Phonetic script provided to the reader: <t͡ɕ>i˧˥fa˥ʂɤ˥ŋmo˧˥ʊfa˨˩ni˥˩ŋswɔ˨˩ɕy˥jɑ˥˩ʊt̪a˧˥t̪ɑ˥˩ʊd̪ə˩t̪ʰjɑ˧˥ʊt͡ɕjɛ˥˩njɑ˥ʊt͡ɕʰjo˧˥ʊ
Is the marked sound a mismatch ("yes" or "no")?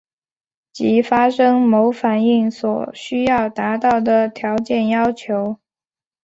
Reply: no